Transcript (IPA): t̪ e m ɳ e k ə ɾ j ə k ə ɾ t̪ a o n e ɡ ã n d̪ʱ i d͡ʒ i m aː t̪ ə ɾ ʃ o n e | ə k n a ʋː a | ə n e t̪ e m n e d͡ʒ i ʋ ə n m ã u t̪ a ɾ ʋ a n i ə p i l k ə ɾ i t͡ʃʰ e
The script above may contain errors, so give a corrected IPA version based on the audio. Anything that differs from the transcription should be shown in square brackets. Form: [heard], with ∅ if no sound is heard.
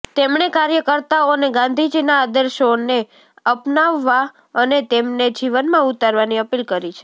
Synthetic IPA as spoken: t̪ e m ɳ e k [a] ɾ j ə k ə ɾ t̪ a o n e ɡ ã n d̪ʱ i d͡ʒ i [n] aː [d̪] ə ɾ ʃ o n e | ə [p] n a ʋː a | ə n e t̪ e m n e d͡ʒ i ʋ ə n m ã u t̪ a ɾ ʋ a n i ə p i l k ə ɾ i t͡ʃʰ e